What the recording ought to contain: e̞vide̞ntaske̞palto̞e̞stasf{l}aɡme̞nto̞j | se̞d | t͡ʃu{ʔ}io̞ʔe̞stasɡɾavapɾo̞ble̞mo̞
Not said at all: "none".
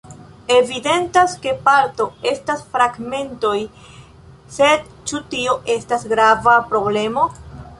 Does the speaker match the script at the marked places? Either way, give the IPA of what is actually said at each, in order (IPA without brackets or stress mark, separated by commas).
ɾ, t